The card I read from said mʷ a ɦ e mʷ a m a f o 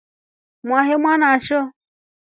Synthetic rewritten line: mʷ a ɦ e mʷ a n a ʃ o